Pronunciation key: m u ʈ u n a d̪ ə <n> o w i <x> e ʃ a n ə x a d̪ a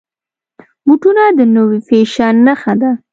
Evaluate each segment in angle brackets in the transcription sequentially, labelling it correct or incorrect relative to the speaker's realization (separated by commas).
correct, incorrect